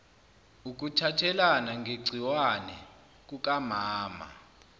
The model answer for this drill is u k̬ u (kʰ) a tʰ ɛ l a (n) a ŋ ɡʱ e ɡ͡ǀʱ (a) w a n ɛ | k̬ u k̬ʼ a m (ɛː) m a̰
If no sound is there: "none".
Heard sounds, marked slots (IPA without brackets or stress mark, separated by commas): tʰ, n, i, aː